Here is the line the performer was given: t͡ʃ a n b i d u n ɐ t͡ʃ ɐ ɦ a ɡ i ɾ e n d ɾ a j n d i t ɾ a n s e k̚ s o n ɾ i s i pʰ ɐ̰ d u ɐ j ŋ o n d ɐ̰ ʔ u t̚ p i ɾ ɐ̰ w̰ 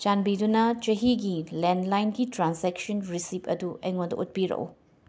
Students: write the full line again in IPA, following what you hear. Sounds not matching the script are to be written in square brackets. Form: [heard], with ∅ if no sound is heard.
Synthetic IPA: t͡ʃ a n b i d u n ɐ t͡ʃ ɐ ɦ [i] ɡ i [l] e n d [l] a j n [ɡ] i t ɾ a n s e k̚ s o n ɾ i s i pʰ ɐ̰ d u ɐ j ŋ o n d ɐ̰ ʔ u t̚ p i ɾ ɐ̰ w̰